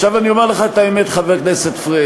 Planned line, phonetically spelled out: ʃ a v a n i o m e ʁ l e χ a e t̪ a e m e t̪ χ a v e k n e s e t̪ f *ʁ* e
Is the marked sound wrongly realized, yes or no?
no